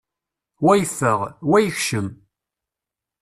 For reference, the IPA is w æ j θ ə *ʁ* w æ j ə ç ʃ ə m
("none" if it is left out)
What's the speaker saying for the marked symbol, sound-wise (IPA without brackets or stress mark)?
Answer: ʁ